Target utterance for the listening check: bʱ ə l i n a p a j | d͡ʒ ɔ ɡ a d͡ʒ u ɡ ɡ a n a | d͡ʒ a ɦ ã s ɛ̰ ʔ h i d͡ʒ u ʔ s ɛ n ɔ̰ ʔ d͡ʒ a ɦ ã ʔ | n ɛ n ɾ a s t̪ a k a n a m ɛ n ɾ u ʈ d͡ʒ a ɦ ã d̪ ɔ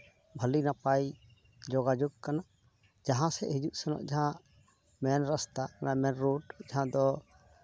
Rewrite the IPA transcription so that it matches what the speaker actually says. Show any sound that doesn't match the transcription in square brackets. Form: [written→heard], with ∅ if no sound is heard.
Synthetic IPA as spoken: bʱ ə l i n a p a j | d͡ʒ ɔ ɡ a d͡ʒ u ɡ [ɡ→k] a n a | d͡ʒ a ɦ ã s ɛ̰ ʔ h i d͡ʒ u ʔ s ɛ n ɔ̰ ʔ d͡ʒ a ɦ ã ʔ | [n→m] ɛ n ɾ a s t̪ a k a n a m ɛ n ɾ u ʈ d͡ʒ a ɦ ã d̪ ɔ